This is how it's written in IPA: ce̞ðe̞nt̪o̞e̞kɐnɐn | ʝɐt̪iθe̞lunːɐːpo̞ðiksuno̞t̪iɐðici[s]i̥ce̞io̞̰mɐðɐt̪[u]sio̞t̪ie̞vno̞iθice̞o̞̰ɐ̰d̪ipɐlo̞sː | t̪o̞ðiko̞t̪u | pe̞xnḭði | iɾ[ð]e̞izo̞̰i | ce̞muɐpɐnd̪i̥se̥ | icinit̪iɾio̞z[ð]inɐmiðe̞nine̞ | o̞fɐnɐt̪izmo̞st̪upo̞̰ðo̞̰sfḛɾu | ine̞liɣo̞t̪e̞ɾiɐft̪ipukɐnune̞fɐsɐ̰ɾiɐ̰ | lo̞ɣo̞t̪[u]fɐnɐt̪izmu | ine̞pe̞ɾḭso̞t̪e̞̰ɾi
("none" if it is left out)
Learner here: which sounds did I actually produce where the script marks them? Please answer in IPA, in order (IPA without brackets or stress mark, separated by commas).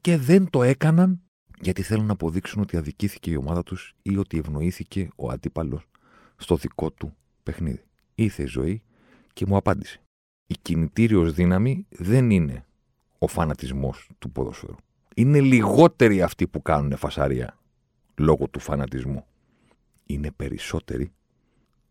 θ, u, θ, ð, u